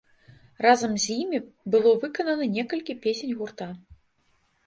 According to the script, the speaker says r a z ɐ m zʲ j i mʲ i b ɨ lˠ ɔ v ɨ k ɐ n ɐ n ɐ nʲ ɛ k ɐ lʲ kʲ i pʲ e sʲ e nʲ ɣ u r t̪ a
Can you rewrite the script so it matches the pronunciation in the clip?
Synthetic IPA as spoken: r a z ɐ m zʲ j i mʲ i b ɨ lˠ ɔ v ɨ k ɐ n ɐ n ɐ nʲ ɛ k ɐ lʲ kʲ i pʲ e sʲ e nʲ ɣ u r t̪ a

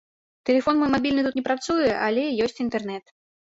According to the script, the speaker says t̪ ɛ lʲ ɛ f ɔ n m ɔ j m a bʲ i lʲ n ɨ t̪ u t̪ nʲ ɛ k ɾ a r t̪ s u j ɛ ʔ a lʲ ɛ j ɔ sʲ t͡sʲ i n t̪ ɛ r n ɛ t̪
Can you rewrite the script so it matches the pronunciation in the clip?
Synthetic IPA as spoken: t̪ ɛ lʲ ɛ f ɔ n m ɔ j m a bʲ i lʲ n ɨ t̪ u t̪ nʲ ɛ p ɾ a t̪ s u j ɛ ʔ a lʲ ɛ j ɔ sʲ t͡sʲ i n t̪ ɛ r n ɛ t̪

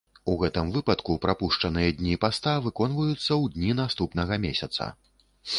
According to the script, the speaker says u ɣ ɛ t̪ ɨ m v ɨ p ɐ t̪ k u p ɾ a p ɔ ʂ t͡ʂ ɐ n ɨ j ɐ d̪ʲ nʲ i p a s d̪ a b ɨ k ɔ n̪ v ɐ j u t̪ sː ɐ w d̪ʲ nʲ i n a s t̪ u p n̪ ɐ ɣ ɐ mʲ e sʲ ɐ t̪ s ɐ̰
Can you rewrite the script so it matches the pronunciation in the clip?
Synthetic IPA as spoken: u ɣ ɛ t̪ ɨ m v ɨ p ɐ t̪ k u p ɾ a p u ʂ t͡ʂ ɐ n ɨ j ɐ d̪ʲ nʲ i p a s t̪ a v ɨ k ɔ n̪ v ɐ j u t̪ sː ɐ w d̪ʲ nʲ i n a s t̪ u p n̪ ɐ ɣ ɐ mʲ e sʲ ɐ t̪ s ɐ̰

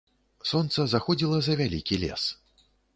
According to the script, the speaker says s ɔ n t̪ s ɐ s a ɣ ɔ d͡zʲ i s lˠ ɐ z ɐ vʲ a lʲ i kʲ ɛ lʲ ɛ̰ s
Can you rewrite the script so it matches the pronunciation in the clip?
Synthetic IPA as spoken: s ɔ n t̪ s ɐ z a x ɔ d͡zʲ i lˠ ɐ z ɐ vʲ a lʲ i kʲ i lʲ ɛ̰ s

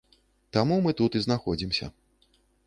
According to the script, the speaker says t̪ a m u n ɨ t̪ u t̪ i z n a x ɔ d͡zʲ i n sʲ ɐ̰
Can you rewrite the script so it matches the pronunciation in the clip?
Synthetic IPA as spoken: t̪ a m u m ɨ t̪ u t̪ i z n a x ɔ d͡zʲ i m sʲ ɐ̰

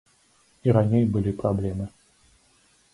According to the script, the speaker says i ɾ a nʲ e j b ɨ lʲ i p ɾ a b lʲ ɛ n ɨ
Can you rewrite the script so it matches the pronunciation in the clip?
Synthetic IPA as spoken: i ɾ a nʲ e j b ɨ lʲ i p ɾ a b lʲ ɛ m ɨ

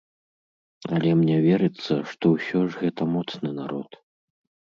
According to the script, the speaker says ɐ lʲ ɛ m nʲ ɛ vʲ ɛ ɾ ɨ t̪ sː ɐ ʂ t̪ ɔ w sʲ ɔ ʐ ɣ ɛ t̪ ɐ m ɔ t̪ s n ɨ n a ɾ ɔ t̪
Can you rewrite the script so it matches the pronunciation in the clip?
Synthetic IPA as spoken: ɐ lʲ ɛ m nʲ ɛ vʲ ɛ ɾ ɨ t̪ sː ɐ ʂ t̪ ɔ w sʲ ɔ ʐ ɣ ɛ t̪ ɐ m ɔ t̪ s n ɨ n a ɾ ɔ t̪

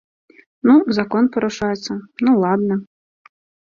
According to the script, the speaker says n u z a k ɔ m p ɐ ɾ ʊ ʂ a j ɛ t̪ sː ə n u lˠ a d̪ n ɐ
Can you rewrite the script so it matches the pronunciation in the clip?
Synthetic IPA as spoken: n u z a k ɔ n p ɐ ɾ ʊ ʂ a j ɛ t̪ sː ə n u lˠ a d̪ n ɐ

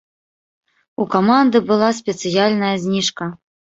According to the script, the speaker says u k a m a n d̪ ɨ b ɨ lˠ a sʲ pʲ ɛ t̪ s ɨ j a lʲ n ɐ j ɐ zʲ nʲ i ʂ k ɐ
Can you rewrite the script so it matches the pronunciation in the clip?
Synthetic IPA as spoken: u k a m a n d̪ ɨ b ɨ lˠ a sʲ pʲ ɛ t̪ s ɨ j a lʲ n ɐ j ɐ zʲ nʲ i ʂ k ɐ

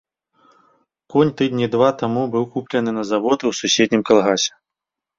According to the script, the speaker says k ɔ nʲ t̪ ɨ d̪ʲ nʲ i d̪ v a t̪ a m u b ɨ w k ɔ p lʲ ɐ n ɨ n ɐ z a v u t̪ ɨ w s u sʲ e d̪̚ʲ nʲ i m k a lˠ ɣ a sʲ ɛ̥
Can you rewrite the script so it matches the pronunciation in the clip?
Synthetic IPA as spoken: k ɔ nʲ t̪ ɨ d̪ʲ nʲ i d̪ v a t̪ a m u b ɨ w k u p lʲ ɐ n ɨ n ɐ z a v ɔ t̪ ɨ w s u sʲ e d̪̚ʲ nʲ i m k a lˠ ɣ a sʲ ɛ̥

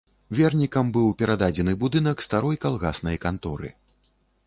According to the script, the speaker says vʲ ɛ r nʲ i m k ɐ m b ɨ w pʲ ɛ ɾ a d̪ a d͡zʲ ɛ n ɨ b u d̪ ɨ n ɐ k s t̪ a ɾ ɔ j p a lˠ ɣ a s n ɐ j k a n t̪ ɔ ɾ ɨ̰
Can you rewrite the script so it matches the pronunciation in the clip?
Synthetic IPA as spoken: vʲ ɛ r nʲ i k ɐ m b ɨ w pʲ ɛ ɾ a d̪ a d͡zʲ ɛ n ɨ b u d̪ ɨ n ɐ k s t̪ a ɾ ɔ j k a lˠ ɣ a s n ɐ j k a n t̪ ɔ ɾ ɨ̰

